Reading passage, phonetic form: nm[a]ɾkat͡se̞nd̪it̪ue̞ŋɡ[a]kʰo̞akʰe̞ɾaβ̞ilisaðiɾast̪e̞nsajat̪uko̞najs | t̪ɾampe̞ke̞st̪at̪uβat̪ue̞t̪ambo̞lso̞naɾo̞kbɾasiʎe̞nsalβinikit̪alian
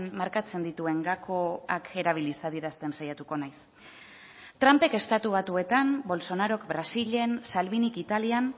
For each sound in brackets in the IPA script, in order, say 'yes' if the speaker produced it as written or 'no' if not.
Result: yes, yes

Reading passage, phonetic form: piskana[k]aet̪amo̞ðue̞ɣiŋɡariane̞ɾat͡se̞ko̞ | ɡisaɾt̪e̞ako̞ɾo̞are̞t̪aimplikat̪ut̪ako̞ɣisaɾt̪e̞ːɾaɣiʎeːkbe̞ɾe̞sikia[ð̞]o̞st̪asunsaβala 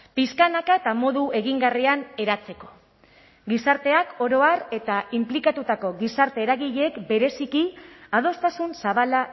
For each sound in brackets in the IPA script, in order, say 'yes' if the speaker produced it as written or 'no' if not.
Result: yes, yes

